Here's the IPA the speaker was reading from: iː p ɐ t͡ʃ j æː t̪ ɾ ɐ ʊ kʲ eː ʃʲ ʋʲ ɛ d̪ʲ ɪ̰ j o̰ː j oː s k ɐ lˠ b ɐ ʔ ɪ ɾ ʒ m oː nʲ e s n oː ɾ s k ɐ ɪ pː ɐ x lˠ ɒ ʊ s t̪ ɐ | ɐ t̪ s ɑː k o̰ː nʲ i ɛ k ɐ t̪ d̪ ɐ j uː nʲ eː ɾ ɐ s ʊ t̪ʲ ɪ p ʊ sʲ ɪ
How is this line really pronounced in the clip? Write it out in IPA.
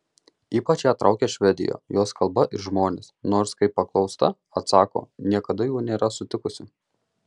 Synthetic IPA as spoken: iː p ɐ t͡ʃ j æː t̪ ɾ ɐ ʊ kʲ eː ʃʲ ʋʲ ɛ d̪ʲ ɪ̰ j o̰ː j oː s k ɐ lˠ b ɐ ʔ ɪ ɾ ʒ m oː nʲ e s n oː ɾ s k ɐ ɪ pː ɐ k lˠ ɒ ʊ s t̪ ɐ | ɐ t̪ s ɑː k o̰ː nʲ i ɛ k ɐ d̪ ɐ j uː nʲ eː ɾ ɐ s ʊ t̪ʲ ɪ k ʊ sʲ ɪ